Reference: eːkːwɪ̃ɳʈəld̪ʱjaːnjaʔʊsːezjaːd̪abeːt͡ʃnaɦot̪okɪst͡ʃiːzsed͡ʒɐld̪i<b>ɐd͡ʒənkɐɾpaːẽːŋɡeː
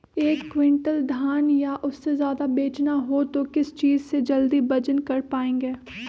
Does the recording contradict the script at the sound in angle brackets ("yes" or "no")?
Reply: no